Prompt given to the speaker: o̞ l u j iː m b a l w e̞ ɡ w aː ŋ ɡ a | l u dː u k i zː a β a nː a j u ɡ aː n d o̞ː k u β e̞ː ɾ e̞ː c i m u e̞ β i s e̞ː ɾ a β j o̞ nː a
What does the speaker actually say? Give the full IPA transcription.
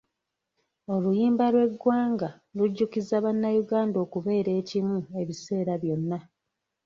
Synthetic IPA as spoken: o̞ l u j iː m b a l w e̞ ɡ w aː ŋ ɡ a | l u ɟː u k i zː a β a nː a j u ɡ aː n d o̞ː k u β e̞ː ɾ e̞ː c i m u e̞ β i s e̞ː ɾ a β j o̞ nː a